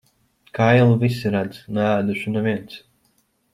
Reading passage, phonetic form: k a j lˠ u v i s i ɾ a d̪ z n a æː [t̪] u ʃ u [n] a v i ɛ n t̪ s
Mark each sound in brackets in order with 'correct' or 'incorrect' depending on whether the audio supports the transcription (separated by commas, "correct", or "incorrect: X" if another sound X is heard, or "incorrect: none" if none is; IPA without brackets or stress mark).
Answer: incorrect: d̪, correct